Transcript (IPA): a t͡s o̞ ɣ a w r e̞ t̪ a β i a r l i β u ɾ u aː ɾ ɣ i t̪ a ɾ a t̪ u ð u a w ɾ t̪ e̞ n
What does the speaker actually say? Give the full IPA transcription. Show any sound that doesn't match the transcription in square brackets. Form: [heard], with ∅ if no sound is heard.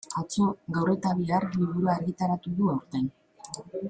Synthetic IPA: a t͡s o̞ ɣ a w r e̞ t̪ a β i a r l i β u ɾ u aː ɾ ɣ i t̪ a ɾ a t̪ u ð u a w ɾ t̪ e̞ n